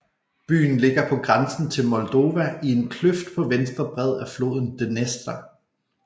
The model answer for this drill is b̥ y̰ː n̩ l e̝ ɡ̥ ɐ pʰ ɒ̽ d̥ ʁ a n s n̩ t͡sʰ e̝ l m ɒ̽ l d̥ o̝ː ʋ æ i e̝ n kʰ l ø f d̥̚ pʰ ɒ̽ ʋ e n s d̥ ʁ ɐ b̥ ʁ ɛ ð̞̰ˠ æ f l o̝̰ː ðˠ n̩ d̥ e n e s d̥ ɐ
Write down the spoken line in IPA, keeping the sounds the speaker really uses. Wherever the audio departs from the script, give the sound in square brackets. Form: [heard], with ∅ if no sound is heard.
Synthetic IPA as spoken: b̥ y̰ː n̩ l e̝ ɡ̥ ɐ pʰ ɒ̽ [ɡ̥] ʁ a n s n̩ t͡sʰ e̝ l m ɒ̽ l d̥ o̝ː ʋ æ i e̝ n kʰ l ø f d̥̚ pʰ ɒ̽ ʋ e n s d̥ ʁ ɐ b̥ ʁ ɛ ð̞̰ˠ æ f l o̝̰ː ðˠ n̩ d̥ e n e s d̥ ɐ